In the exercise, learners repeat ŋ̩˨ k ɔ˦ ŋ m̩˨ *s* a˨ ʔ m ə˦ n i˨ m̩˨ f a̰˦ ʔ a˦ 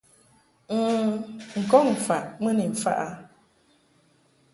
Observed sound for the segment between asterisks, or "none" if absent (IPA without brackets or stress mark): f